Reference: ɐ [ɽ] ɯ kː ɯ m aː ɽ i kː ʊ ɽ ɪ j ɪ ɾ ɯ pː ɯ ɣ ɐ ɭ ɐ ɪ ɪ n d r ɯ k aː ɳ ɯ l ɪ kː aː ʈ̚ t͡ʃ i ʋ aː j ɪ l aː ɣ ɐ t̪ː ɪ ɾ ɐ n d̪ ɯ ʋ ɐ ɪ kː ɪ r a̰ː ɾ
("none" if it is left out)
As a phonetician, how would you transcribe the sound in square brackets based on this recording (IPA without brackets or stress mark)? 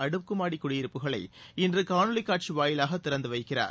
ɽ